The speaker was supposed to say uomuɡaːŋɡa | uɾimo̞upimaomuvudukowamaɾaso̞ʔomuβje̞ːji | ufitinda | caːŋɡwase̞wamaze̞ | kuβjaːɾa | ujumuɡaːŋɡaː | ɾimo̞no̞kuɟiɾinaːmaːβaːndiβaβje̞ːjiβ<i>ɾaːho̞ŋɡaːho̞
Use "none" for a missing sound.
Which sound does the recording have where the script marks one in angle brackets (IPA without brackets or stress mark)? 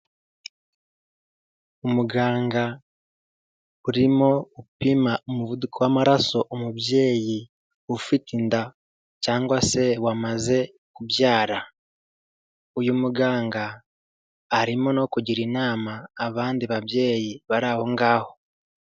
a